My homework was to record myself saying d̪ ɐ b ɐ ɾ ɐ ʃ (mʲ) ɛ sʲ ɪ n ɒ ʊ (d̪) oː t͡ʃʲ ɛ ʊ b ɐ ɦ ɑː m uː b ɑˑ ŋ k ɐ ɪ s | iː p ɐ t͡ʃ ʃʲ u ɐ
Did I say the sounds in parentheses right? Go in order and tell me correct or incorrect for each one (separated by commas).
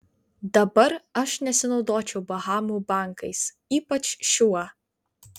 incorrect, correct